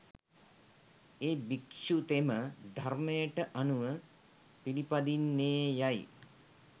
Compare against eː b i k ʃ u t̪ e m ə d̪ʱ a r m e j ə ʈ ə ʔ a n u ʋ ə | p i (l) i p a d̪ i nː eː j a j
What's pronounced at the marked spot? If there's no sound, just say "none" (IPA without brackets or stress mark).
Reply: l